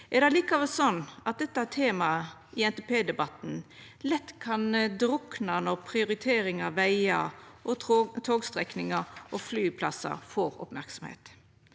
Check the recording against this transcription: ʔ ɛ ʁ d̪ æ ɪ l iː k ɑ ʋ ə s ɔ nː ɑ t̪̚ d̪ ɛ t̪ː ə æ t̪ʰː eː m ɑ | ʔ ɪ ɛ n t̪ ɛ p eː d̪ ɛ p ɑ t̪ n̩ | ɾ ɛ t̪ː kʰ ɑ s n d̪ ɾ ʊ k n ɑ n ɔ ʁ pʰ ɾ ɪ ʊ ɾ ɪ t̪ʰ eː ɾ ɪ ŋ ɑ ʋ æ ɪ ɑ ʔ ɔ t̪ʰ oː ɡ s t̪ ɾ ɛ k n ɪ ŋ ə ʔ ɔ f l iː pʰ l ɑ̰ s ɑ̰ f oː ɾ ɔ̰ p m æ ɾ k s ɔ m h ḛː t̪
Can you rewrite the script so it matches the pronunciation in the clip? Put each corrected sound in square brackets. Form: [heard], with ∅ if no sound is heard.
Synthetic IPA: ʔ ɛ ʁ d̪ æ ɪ l iː k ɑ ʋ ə s ɔ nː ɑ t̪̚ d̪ ɛ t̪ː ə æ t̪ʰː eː m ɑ | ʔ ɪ ɛ n t̪ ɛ p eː d̪ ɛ [b] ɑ t̪ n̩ | [l] ɛ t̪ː kʰ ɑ [∅] n d̪ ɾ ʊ k n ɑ n ɔ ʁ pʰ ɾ ɪ ʊ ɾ ɪ t̪ʰ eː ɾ ɪ ŋ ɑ ʋ æ ɪ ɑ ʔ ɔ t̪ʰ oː ɡ s t̪ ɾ ɛ k n ɪ ŋ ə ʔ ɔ f l [yː] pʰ l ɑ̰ s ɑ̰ f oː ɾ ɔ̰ p m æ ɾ k s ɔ m h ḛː t̪